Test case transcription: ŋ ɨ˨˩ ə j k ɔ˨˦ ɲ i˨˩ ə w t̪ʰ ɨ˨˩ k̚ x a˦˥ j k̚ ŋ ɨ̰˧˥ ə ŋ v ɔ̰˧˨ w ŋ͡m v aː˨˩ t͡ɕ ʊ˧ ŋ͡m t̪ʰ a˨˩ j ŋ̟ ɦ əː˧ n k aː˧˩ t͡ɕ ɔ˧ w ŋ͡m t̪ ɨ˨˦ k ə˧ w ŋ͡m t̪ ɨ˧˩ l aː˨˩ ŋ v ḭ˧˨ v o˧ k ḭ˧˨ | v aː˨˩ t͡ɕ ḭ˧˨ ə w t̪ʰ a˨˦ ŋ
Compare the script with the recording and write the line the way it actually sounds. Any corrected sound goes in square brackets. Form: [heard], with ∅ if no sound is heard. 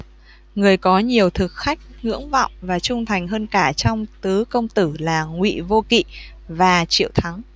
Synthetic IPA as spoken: ŋ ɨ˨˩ ə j k ɔ˨˦ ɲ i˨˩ ə w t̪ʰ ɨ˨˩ k̚ x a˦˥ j k̚ ŋ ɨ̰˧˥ ə ŋ v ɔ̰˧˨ w ŋ͡m v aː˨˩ t͡ɕ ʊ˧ ŋ͡m t̪ʰ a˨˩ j ŋ̟ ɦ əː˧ n k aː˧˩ t͡ɕ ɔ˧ w ŋ͡m t̪ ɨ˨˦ k ə˧ w ŋ͡m t̪ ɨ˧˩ l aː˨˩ ŋ [w] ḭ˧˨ v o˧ k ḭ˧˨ | v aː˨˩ t͡ɕ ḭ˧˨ ə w t̪ʰ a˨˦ ŋ

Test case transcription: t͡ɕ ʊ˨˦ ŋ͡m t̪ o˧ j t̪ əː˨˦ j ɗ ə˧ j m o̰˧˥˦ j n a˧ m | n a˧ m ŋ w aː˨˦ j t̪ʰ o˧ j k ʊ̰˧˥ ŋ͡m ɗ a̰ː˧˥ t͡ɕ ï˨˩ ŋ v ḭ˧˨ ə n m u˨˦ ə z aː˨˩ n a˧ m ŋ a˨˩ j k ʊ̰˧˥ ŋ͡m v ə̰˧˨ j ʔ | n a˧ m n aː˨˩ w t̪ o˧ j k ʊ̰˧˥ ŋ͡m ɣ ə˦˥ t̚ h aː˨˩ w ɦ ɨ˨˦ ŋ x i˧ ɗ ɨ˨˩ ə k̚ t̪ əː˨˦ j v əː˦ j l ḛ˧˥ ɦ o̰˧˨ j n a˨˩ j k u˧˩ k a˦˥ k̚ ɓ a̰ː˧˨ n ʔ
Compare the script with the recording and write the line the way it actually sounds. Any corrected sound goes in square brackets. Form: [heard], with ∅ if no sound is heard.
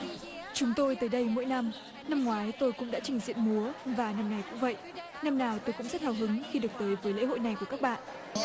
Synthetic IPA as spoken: t͡ɕ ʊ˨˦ ŋ͡m t̪ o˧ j t̪ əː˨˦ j ɗ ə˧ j m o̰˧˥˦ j n a˧ m | n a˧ m ŋ w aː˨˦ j [t̪] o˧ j k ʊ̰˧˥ ŋ͡m ɗ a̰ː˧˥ t͡ɕ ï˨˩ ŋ [z] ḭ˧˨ ə n m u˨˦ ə [v] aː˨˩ n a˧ m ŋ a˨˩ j k ʊ̰˧˥ ŋ͡m v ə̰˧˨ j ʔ | n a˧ m n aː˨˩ w t̪ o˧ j k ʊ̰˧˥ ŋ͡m [z] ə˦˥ t̚ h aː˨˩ w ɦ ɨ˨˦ ŋ x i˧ ɗ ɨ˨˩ ə k̚ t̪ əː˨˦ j v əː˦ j l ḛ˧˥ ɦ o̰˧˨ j n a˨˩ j k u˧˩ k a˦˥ k̚ ɓ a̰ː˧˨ n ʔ

